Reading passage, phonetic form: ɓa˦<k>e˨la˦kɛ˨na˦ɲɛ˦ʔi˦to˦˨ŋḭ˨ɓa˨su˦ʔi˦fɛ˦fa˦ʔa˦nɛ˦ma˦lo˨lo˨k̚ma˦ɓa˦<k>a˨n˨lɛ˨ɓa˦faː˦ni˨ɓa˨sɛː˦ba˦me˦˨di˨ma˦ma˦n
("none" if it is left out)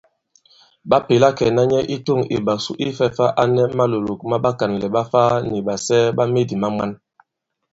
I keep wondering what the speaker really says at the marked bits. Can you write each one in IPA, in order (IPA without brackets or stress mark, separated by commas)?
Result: p, k